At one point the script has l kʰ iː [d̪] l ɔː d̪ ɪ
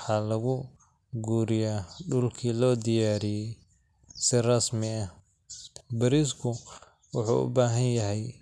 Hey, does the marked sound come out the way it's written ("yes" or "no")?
no